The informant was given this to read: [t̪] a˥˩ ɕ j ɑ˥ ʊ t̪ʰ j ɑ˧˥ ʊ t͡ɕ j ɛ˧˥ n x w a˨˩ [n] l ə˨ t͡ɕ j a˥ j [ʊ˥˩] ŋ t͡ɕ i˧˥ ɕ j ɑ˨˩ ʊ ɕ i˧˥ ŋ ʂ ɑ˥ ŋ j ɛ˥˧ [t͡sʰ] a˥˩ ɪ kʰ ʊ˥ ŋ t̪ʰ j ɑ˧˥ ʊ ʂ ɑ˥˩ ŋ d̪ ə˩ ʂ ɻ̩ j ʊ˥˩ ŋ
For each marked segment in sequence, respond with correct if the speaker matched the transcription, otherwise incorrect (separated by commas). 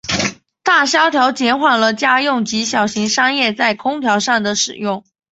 correct, correct, correct, incorrect